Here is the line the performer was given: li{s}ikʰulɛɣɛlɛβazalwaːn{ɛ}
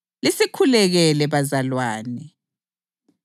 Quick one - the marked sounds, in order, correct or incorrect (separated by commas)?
correct, correct